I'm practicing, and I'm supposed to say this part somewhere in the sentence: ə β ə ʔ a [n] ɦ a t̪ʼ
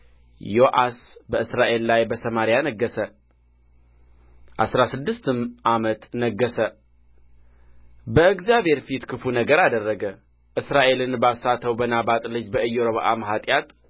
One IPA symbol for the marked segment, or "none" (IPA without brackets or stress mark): m